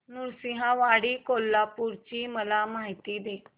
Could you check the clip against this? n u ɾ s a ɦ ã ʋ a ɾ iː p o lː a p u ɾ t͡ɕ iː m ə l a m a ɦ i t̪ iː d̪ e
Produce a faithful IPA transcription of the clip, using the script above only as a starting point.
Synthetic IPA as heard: n u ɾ s i ɦ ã ʋ a ɽ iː k o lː a p u ɾ t͡ɕ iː m ə l a m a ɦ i t̪ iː d̪ e